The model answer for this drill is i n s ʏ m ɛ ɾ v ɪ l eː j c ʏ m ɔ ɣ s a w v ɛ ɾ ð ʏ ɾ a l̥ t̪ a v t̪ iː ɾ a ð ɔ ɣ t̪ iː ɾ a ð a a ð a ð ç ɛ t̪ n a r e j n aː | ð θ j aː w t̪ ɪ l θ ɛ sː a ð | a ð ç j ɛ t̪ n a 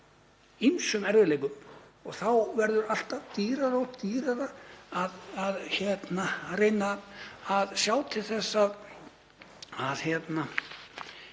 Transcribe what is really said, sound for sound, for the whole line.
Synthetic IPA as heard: i n s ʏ m ɛ ɾ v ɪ l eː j k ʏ m ɔ ɣ θ a w v ɛ ɾ ð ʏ ɾ a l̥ t̪ a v t̪ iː ɾ a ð ɔ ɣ t̪ iː ɾ a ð a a ð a ð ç ɛ t̪ n a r e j n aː | ð s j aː w t̪ʰ ɪ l θ ɛ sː a ð | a ð ç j ɛ t̪ n a